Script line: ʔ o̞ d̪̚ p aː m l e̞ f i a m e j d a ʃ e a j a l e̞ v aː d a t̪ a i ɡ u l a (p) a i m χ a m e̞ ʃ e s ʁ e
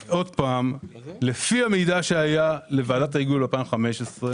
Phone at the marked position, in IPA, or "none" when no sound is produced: p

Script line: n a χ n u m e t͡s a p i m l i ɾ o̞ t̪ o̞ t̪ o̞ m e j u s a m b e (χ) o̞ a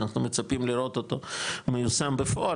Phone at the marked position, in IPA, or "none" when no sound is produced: f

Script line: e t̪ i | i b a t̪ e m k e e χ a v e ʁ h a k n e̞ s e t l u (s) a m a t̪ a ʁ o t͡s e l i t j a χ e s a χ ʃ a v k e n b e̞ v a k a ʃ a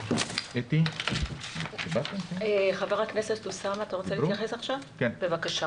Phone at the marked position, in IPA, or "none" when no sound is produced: s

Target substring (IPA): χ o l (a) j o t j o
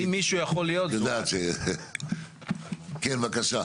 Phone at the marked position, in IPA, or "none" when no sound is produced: i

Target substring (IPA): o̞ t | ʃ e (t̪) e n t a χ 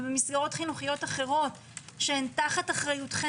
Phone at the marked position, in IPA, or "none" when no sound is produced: none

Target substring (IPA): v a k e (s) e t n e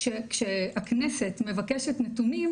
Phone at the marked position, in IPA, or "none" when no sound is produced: ʃ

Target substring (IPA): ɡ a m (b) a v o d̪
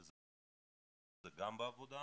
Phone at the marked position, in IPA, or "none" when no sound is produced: b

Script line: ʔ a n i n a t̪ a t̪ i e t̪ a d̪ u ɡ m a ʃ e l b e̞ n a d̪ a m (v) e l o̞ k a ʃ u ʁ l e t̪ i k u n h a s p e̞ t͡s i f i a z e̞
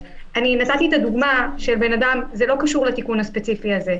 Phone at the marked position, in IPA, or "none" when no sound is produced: z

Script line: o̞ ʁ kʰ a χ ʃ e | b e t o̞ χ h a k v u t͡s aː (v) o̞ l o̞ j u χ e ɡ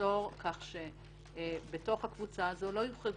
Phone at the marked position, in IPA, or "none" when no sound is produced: z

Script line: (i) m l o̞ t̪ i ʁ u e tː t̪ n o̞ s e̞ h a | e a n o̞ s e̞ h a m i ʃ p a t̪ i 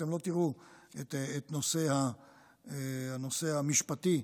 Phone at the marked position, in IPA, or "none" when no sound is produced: e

